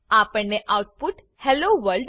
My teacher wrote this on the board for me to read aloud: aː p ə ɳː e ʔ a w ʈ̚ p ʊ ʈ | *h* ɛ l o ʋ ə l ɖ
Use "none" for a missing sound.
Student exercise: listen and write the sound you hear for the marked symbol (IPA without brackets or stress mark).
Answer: h